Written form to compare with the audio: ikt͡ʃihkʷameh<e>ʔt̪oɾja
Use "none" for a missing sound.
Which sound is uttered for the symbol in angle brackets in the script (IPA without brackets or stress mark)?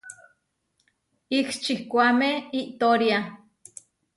i